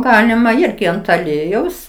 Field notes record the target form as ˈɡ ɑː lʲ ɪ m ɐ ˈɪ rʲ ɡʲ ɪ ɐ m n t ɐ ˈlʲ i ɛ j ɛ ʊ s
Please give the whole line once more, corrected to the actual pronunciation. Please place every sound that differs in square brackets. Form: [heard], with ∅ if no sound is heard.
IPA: ˈɡ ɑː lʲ ɪ m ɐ ˈɪ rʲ ɡʲ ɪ ɐ [∅] n t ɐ ˈlʲ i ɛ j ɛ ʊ s

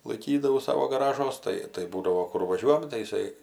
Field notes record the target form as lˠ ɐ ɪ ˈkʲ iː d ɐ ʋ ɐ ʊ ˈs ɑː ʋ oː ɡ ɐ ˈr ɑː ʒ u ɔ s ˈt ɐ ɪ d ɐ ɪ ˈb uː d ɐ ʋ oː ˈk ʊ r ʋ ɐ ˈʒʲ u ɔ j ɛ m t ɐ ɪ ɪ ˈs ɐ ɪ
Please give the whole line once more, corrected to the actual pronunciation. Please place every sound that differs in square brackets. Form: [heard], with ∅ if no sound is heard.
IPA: lˠ ɐ ɪ ˈkʲ iː d ɐ ʋ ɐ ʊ ˈs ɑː ʋ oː ɡ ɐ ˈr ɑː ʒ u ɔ s ˈt ɐ ɪ [t] ɐ ɪ ˈb uː d ɐ ʋ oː ˈk ʊ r ʋ ɐ ˈʒʲ u ɔ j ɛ m t ɐ ɪ ɪ ˈs ɐ ɪ

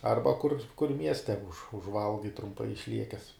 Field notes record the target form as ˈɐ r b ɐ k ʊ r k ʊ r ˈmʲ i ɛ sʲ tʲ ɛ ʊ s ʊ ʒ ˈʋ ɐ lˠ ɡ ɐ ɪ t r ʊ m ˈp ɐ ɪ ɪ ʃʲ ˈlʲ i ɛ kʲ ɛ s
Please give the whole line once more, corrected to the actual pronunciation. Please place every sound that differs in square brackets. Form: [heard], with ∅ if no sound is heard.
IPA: ˈɐ r b ɐ k ʊ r k ʊ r ˈmʲ i ɛ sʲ tʲ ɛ ʊ [ʃ] ʊ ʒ ˈʋ ɐ lˠ ɡ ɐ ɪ t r ʊ m ˈp ɐ ɪ ɪ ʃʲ ˈlʲ i ɛ kʲ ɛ s

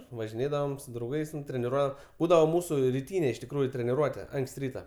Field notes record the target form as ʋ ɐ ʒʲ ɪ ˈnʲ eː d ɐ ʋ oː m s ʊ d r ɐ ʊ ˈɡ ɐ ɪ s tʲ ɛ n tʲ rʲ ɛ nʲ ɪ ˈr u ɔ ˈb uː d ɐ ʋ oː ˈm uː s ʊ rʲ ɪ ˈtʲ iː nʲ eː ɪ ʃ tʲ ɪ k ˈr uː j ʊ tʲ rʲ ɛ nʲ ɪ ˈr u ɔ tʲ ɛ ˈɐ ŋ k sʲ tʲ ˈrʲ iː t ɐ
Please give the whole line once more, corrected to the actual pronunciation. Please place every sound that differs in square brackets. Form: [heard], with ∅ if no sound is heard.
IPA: ʋ ɐ ʒʲ ɪ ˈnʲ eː d ɐ ʋ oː m s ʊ d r ɐ ʊ ˈɡ ɐ ɪ s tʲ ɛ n tʲ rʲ ɛ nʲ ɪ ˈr u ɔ ˈb uː d ɐ ʋ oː ˈm uː s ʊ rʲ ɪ ˈtʲ iː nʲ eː ɪ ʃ tʲ ɪ k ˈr uː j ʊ tʲ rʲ ɛ nʲ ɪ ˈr u ɔ tʲ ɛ ˈɐ ŋ k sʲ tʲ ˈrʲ iː t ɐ

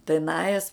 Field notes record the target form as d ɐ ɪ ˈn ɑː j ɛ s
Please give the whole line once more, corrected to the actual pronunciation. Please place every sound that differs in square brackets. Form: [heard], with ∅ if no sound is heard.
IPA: [t] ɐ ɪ ˈn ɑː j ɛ s

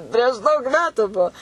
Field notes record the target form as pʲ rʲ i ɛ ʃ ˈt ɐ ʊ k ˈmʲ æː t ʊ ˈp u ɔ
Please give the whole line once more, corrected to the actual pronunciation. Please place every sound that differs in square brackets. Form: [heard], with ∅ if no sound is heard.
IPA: pʲ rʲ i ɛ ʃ [ˈd] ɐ ʊ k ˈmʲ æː t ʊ [ˈb] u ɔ

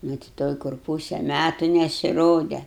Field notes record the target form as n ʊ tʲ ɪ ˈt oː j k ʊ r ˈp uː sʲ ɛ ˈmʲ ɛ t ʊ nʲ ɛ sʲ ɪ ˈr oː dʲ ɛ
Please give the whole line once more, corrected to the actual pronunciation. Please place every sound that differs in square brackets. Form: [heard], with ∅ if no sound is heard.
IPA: n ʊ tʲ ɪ ˈt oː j k ʊ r ˈp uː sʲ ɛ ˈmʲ [æ] t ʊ nʲ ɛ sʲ ɪ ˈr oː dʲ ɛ

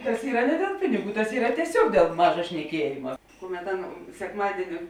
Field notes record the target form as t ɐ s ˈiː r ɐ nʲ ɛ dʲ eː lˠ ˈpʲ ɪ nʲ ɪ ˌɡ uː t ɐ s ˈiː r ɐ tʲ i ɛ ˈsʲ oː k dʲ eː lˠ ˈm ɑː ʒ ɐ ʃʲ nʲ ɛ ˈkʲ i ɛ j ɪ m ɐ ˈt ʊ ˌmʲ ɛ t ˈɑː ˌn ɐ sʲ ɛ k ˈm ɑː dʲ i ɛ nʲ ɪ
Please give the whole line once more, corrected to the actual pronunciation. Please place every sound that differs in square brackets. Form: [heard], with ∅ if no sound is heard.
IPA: t ɐ s ˈiː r ɐ nʲ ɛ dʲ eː lˠ ˈpʲ ɪ nʲ ɪ ˌɡ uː t ɐ s ˈiː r ɐ tʲ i ɛ ˈsʲ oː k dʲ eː lˠ ˈm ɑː ʒ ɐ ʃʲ nʲ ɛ ˈkʲ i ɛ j ɪ m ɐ [ˈk] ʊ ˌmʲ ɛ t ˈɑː ˌn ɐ sʲ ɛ k ˈm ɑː dʲ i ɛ nʲ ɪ

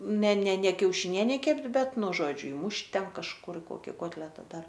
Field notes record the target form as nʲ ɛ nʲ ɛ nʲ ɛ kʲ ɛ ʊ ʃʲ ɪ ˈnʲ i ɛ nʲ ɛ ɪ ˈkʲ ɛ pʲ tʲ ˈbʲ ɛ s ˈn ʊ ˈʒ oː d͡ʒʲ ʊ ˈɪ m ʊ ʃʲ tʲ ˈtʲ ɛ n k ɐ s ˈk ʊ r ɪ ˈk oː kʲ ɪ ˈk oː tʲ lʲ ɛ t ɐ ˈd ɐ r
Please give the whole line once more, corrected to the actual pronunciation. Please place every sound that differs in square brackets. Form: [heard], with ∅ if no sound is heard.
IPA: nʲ ɛ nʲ ɛ nʲ ɛ kʲ ɛ ʊ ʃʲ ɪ ˈnʲ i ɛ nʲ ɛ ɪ ˈkʲ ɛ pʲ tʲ ˈbʲ ɛ [t] ˈn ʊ ˈʒ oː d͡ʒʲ ʊ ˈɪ m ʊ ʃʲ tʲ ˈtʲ ɛ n k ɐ [ʃ] ˈk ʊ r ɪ ˈk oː kʲ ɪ ˈk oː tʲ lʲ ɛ t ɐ ˈd ɐ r

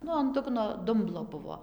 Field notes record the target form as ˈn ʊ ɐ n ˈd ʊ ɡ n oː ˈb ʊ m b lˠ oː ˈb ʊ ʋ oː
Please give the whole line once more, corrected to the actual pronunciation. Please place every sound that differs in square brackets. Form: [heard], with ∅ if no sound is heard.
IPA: ˈn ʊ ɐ n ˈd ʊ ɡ n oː [ˈd] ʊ m b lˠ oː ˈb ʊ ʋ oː

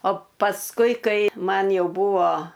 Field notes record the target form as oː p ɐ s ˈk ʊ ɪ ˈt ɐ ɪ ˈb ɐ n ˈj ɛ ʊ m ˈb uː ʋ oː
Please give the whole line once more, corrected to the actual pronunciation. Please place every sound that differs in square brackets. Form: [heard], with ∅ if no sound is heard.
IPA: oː p ɐ s ˈk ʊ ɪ [ˈk] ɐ ɪ [ˈm] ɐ n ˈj ɛ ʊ [∅] ˈb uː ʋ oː

